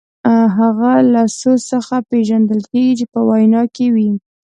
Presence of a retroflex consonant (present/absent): absent